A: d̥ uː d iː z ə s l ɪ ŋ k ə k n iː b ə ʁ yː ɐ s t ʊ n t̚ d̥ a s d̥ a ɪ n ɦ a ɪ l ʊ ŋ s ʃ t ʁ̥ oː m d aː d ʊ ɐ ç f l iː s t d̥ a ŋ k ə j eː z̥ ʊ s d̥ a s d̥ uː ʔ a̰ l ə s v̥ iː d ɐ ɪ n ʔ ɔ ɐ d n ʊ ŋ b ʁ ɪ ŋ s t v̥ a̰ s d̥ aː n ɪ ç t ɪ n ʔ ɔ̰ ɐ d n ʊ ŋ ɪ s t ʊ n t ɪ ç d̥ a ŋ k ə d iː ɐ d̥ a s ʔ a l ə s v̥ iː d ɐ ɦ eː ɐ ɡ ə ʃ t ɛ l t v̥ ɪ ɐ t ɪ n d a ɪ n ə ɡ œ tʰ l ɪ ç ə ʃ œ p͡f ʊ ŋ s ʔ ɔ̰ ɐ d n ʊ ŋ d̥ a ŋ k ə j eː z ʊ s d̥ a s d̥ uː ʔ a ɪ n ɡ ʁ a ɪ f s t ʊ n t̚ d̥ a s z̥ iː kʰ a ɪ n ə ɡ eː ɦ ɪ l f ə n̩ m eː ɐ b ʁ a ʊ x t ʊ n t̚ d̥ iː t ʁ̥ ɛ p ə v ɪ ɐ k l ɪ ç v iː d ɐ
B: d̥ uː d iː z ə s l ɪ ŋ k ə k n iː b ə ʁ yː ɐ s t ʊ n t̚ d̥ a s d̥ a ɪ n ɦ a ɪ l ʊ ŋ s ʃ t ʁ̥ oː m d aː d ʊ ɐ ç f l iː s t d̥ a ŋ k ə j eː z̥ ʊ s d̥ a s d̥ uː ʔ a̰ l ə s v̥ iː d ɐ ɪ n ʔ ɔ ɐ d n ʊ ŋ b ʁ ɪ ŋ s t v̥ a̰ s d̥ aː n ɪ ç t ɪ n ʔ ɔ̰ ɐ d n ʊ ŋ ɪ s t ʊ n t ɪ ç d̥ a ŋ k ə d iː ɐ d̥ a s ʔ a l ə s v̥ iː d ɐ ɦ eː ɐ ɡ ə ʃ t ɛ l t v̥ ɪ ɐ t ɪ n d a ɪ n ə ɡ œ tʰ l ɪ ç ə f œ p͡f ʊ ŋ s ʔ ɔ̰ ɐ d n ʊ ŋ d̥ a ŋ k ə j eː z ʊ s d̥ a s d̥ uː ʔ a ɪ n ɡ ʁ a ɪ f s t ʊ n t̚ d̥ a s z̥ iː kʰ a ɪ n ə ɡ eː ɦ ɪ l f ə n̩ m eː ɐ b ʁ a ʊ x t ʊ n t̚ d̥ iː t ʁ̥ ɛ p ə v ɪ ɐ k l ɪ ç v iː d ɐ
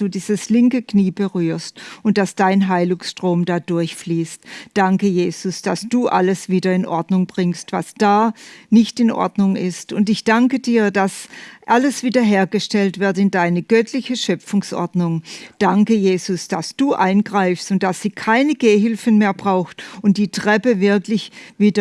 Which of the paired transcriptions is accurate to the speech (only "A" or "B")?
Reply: A